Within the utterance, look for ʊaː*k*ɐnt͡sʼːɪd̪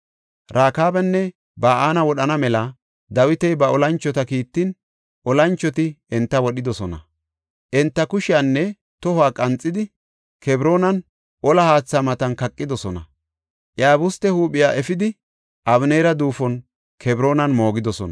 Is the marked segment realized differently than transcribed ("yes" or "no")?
yes